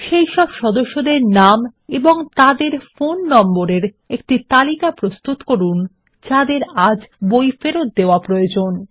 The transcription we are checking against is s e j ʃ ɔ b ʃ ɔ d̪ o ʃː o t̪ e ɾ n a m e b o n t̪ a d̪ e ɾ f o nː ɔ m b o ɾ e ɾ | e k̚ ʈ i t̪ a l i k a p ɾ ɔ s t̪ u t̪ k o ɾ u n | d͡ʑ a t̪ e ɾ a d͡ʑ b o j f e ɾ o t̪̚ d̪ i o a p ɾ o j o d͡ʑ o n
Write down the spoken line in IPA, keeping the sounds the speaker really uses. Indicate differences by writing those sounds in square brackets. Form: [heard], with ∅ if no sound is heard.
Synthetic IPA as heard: [ʃ] e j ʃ ɔ b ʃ ɔ d̪ o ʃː o [d̪] e ɾ n a m e b o [ŋ] t̪ a d̪ e ɾ f o nː ɔ m b o ɾ e ɾ | e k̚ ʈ i t̪ a l i k a p ɾ [o] s t̪ u t̪ k o ɾ u n | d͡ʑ a [d̪] e ɾ a d͡ʑ b o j f e ɾ o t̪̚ d̪ [e] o a p ɾ o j o d͡ʑ o n